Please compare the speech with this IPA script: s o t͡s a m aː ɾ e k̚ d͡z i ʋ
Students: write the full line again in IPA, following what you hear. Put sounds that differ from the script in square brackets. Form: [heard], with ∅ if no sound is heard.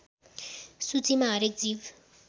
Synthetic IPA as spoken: s [u] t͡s [i] m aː ɾ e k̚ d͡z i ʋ